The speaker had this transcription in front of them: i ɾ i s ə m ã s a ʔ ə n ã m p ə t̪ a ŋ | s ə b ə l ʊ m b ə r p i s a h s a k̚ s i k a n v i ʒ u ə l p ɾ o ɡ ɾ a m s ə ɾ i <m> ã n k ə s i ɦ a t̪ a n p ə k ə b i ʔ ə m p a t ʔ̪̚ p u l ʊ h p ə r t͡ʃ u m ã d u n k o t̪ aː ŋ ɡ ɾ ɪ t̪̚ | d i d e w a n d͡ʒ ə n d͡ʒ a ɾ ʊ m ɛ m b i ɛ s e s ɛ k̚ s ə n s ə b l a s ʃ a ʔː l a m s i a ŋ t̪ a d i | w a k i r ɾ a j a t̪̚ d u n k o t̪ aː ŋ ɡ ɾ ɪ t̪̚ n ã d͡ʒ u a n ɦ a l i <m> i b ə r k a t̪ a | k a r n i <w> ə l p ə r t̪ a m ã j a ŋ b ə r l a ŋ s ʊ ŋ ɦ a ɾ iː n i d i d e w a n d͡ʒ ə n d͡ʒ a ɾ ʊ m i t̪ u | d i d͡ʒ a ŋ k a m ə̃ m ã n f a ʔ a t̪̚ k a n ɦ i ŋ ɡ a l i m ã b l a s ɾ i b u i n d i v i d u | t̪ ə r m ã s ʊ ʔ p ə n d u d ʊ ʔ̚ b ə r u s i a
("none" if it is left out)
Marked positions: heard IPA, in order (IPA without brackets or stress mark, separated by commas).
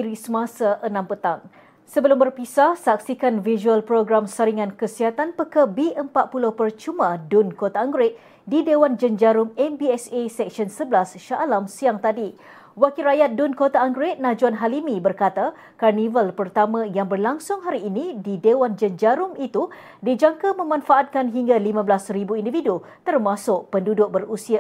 ŋ, m, v